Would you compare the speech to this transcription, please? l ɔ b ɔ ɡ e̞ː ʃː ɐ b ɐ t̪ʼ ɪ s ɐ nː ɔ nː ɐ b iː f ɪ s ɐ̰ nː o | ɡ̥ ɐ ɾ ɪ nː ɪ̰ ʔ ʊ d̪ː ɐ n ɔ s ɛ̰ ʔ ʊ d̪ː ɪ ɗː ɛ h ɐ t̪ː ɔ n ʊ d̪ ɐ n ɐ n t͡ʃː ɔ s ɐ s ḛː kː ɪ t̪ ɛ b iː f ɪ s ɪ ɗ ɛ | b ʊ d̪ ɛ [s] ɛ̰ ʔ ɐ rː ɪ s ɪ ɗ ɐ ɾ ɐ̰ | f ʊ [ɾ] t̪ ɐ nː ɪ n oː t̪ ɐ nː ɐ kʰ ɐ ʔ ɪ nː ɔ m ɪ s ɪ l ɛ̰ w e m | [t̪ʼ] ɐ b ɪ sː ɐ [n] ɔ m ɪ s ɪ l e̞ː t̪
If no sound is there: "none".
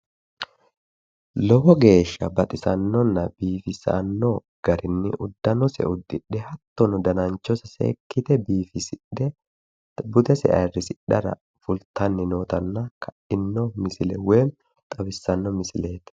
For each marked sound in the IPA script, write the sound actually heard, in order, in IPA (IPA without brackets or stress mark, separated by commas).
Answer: s, l, t̪ʼ, nː